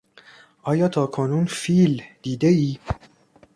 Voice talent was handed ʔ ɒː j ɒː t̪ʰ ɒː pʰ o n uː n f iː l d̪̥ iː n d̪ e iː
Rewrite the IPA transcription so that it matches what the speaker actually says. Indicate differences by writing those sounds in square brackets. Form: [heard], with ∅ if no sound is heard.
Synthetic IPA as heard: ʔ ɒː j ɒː t̪ʰ ɒː [kʰ] o n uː n f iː l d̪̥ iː [∅] d̪ e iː